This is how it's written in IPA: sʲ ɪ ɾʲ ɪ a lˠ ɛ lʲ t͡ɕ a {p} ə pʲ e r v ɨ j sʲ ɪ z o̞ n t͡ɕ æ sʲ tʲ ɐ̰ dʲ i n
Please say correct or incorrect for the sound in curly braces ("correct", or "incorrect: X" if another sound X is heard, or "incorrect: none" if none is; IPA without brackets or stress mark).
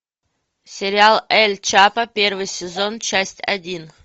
correct